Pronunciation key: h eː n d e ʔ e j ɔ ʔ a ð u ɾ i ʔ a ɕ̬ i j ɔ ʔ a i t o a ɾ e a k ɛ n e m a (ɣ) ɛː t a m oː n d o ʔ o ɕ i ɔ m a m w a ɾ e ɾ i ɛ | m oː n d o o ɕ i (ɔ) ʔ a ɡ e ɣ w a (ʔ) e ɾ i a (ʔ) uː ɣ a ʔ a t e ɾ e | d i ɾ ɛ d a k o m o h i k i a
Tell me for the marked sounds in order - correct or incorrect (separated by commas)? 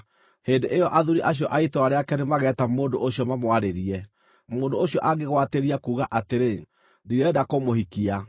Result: correct, correct, incorrect, incorrect